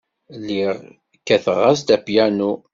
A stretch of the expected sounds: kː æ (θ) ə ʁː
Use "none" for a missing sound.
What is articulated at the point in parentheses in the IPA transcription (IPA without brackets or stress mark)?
θ